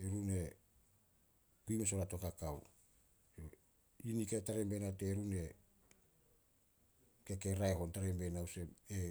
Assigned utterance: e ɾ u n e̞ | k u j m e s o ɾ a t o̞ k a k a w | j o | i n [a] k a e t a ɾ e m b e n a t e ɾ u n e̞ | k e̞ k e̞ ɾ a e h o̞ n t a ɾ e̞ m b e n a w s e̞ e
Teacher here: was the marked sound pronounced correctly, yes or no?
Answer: no